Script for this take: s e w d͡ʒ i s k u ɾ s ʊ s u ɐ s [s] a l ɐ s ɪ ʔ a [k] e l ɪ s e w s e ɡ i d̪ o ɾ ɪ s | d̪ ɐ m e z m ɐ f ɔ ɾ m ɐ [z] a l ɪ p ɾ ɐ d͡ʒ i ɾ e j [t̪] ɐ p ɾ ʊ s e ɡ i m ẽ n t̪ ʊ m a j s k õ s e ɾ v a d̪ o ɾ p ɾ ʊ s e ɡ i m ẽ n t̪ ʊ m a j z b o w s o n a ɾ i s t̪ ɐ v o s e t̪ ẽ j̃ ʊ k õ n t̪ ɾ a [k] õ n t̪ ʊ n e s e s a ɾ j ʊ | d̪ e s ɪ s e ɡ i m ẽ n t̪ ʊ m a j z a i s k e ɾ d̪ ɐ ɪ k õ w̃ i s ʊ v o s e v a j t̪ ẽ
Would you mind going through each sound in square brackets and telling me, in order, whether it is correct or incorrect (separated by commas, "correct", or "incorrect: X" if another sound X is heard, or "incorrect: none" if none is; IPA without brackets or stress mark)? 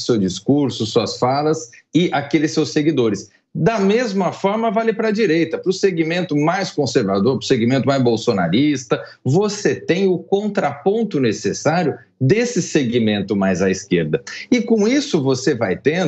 incorrect: f, correct, incorrect: v, correct, incorrect: p